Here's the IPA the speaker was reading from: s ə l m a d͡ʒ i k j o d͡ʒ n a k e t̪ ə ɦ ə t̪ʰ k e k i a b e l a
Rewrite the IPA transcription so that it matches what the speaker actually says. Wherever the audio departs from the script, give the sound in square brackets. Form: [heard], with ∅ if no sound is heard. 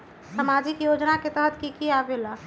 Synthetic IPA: s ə [∅] m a d͡ʒ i k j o d͡ʒ n a k e t̪ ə ɦ ə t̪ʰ k [i] k i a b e l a